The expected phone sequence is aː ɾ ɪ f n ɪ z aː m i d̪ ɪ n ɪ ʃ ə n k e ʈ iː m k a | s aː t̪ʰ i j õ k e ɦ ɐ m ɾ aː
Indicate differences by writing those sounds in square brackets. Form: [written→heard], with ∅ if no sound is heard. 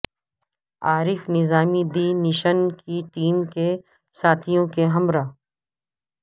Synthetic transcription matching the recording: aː ɾ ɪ f n ɪ z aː m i d̪ [ɪ→i] n ɪ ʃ ə n k [e→i] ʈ iː m k [a→e] | s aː t̪ʰ i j õ k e ɦ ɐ m ɾ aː